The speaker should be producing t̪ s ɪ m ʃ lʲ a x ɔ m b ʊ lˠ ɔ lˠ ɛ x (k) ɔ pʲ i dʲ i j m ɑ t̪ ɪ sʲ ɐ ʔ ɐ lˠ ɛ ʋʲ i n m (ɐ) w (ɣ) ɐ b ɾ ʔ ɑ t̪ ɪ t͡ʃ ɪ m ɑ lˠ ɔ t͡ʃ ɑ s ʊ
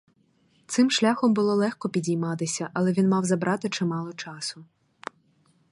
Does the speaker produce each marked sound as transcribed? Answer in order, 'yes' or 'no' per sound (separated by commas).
yes, no, no